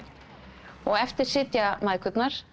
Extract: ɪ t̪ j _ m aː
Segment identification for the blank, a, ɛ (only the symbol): a